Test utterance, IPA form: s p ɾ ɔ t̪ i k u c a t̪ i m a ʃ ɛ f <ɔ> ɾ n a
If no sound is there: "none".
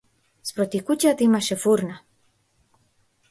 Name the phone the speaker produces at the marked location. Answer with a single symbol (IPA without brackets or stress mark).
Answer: u